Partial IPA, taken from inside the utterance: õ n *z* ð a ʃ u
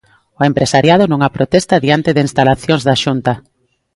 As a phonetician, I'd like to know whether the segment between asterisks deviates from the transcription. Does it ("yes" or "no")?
no